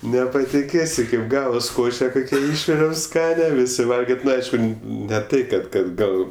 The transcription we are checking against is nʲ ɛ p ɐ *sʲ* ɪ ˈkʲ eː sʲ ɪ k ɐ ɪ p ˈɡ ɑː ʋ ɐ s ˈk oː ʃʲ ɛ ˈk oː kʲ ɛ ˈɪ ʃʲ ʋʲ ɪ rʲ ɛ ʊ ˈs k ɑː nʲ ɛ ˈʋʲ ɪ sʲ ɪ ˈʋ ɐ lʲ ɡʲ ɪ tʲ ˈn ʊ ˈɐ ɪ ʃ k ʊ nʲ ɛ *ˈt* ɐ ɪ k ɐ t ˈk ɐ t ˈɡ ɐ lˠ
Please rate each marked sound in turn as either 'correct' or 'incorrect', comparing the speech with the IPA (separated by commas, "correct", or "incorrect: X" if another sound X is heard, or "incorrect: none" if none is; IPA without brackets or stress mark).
incorrect: tʲ, correct